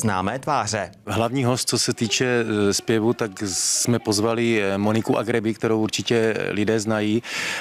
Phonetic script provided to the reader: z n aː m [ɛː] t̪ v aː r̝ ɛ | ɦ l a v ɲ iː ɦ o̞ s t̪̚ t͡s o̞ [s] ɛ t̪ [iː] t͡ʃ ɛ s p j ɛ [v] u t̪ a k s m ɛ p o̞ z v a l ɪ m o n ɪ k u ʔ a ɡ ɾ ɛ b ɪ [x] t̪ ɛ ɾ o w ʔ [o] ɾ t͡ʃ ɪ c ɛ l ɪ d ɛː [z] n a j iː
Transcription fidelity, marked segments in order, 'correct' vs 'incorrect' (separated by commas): correct, correct, correct, correct, incorrect, incorrect, correct